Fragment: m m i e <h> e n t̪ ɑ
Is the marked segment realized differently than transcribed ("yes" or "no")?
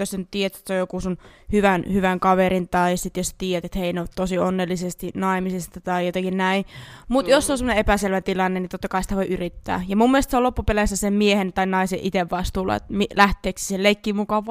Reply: no